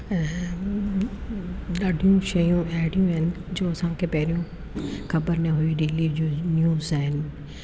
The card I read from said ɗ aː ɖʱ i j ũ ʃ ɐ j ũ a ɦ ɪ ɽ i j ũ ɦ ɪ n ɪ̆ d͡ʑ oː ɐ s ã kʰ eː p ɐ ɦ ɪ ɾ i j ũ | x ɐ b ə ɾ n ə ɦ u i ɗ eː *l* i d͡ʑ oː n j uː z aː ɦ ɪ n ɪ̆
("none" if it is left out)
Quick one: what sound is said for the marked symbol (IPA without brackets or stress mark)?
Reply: l